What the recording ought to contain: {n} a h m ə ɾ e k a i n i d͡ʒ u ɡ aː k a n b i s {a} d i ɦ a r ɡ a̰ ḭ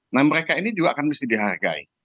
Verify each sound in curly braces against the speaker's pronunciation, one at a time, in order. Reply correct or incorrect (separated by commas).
correct, incorrect